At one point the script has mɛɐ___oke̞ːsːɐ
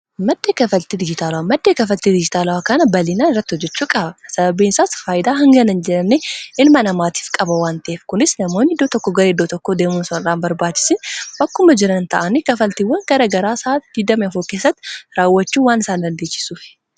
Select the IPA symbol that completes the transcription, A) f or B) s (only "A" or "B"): A